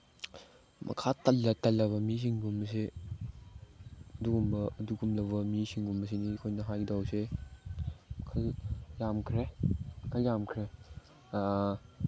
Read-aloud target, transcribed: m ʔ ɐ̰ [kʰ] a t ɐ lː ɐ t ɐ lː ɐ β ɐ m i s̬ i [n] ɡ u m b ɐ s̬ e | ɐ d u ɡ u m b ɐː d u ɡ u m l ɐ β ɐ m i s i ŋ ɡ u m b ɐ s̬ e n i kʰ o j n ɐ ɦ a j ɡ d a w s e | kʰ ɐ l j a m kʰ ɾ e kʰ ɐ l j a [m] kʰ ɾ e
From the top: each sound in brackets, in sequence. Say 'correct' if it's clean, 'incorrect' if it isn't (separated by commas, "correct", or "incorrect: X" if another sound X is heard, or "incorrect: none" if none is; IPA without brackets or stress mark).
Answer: correct, incorrect: ŋ, correct